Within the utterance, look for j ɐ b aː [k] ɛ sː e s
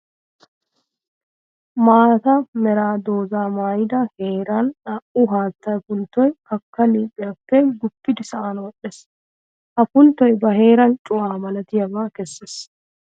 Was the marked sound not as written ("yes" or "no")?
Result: no